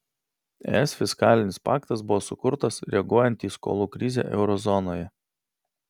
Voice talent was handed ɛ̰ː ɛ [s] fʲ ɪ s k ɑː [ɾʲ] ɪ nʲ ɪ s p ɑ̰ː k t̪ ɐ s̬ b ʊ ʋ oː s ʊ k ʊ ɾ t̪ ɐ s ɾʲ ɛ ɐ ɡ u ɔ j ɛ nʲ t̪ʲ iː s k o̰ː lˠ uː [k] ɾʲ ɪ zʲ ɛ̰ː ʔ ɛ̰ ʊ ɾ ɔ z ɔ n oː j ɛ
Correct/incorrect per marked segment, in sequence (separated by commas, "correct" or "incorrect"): correct, incorrect, correct